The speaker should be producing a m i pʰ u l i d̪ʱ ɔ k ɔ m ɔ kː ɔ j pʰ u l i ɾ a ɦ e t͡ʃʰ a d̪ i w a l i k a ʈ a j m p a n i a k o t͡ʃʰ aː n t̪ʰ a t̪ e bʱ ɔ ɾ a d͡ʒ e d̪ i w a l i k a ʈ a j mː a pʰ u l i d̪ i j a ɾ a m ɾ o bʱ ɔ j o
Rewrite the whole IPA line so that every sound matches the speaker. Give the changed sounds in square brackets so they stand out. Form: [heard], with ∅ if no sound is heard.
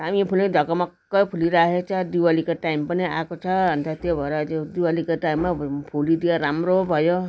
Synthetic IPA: a m i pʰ u l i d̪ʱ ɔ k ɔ m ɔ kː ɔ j pʰ u l i ɾ a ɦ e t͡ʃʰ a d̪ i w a l i k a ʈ a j m p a n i a k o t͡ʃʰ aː n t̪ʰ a t̪ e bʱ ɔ ɾ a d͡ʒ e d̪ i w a l i k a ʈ a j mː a pʰ u l i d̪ i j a ɾ a m ɾ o bʱ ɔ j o